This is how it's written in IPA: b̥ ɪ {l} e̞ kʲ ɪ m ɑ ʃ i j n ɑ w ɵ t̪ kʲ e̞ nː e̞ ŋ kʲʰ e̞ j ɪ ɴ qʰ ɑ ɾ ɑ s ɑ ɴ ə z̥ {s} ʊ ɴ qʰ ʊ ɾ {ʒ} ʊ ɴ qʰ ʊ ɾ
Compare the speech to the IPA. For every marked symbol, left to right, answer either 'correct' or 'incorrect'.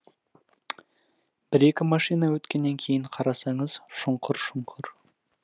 incorrect, incorrect, incorrect

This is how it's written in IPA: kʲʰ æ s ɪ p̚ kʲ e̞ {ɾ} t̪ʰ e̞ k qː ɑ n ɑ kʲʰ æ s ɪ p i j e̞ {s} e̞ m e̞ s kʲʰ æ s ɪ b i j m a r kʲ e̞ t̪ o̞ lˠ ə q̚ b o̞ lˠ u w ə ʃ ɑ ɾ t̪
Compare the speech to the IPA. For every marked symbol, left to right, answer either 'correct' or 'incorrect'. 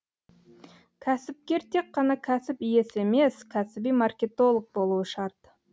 correct, correct

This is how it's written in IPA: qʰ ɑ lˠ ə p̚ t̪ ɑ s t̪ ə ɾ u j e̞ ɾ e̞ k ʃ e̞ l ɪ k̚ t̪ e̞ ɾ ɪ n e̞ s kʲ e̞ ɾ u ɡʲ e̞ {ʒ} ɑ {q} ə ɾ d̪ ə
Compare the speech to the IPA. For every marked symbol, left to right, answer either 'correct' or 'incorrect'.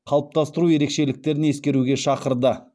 incorrect, correct

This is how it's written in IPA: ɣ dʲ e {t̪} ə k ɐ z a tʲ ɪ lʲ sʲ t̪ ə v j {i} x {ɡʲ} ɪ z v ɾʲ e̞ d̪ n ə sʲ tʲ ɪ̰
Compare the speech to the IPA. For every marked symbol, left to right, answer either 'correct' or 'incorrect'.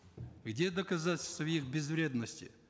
incorrect, correct, incorrect

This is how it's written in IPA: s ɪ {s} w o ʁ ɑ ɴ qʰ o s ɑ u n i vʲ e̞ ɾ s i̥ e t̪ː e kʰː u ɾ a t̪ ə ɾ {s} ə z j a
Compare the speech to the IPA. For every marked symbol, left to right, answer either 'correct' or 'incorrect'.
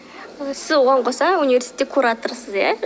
incorrect, correct

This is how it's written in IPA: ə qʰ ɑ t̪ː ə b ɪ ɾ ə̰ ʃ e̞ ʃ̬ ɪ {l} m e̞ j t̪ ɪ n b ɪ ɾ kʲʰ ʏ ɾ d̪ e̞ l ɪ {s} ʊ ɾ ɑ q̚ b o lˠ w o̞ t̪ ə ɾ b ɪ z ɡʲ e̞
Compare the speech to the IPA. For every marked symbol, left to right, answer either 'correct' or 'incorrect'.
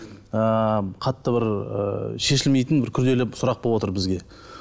correct, correct

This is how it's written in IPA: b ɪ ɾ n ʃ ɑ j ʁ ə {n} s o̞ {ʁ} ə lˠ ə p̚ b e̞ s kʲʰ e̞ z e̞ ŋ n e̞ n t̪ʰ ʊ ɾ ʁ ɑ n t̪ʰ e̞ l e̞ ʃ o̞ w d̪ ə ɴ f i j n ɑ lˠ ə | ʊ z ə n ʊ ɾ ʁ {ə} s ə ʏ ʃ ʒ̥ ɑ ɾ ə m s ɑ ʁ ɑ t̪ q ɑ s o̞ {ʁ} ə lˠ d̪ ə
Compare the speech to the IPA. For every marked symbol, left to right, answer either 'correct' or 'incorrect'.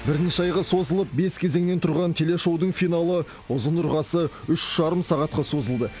incorrect, incorrect, incorrect, incorrect

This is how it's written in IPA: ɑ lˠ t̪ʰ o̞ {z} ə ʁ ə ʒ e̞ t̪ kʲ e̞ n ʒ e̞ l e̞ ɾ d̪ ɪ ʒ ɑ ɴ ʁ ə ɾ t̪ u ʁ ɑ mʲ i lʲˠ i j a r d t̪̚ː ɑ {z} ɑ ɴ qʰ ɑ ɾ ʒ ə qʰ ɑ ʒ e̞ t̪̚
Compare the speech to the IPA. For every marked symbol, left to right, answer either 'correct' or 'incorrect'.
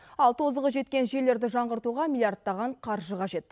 correct, incorrect

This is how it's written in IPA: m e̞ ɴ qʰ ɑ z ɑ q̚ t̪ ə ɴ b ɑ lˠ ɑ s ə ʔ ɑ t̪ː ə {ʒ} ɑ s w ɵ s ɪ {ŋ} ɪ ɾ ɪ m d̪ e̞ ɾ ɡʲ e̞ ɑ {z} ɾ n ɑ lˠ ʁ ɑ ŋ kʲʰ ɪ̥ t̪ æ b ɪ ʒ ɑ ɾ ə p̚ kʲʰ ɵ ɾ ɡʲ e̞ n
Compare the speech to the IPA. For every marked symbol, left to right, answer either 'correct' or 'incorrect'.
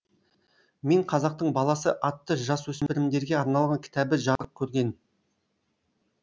correct, incorrect, incorrect

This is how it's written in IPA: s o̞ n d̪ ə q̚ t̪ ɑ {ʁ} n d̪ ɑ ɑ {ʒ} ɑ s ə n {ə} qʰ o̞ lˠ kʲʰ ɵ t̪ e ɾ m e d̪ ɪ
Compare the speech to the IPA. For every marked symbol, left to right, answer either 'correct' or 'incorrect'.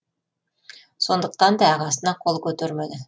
incorrect, incorrect, incorrect

